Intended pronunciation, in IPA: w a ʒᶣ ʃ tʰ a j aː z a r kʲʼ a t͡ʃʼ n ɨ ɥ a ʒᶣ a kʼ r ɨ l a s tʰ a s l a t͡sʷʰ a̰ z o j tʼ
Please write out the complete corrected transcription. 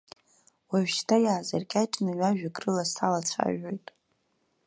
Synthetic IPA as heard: w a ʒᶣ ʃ tʰ a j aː z a r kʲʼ a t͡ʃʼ n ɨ ɥ a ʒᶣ a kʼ r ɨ l a s tʰ a l a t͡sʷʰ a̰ ʒ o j tʼ